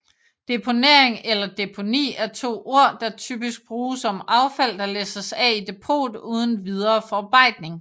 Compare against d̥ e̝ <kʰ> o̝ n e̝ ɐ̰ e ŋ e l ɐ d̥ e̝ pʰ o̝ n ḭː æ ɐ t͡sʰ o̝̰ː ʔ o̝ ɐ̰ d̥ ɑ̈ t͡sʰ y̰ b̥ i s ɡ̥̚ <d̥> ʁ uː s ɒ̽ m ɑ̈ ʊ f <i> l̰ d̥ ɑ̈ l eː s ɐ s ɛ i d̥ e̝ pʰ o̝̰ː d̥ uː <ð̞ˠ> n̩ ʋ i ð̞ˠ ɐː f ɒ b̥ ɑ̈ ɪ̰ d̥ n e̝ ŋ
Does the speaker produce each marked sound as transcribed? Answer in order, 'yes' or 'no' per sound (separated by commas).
no, no, no, yes